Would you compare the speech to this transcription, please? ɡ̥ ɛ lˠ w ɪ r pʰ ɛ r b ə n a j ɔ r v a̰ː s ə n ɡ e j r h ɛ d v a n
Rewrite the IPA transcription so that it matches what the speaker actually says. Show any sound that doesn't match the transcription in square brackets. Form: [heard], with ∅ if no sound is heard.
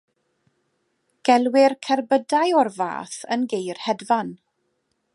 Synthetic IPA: ɡ̥ ɛ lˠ w ɪ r [kʰ] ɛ r b ə [d] a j ɔ r v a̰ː [θ] ə n ɡ e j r h ɛ d v a n

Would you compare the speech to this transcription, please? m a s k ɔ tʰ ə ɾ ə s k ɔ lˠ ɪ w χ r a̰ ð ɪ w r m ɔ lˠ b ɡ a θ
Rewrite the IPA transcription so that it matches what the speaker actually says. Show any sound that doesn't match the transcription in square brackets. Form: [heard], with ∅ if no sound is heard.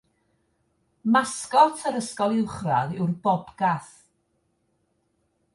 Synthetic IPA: m a s k ɔ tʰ ə ɾ ə s k ɔ lˠ ɪ w χ r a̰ ð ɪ w r [b] ɔ [∅] b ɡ a θ

